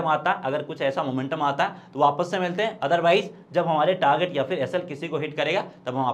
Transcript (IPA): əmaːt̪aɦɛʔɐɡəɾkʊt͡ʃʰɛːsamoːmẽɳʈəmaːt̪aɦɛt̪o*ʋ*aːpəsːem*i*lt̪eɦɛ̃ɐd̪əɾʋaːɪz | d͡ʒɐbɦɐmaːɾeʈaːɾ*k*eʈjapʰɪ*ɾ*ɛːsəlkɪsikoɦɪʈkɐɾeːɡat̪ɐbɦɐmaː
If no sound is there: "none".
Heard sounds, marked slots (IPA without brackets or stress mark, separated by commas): ʋ, ɪ, ɡ, ɾ